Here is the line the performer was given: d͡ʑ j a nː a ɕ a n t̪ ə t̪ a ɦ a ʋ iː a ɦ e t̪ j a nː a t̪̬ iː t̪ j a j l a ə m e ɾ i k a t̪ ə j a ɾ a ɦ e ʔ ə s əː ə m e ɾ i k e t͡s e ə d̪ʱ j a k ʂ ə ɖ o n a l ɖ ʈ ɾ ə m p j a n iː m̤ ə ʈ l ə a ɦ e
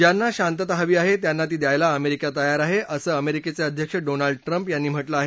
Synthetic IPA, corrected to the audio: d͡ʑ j a nː a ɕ a n t̪ ə t̪ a ɦ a ʋ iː a ɦ e t̪ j a nː a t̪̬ iː d̪ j a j l a ə m e ɾ i k a t̪ ə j a ɾ a ɦ e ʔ ə s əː ə m e ɾ i k e t͡s e ə d̪ʱ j ə k ʂ ə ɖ o n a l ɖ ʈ ɾ ə m p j a nː iː m̤ ə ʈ l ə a ɦ e